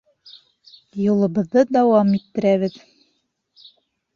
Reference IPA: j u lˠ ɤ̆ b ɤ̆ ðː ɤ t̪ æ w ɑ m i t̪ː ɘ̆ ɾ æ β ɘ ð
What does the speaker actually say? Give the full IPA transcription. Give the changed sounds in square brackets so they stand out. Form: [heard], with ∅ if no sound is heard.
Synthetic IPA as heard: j u lˠ ɤ̆ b ɤ̆ ðː ɤ [d̪] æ w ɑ m i t̪ː ɘ̆ ɾ æ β ɘ ð